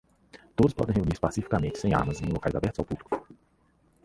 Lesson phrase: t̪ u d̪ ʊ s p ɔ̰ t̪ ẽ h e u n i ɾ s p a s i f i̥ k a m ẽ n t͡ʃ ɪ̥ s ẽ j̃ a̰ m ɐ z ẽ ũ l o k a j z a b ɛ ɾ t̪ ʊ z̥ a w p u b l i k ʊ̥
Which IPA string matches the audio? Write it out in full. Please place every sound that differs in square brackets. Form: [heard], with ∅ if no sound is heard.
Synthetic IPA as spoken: t̪ [o] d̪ ʊ s p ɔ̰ [d̪] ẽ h e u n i ɾ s p a s i f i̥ k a m ẽ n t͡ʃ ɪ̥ s ẽ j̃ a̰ m ɐ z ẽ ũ l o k a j z a b ɛ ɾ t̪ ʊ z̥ a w p u b l i k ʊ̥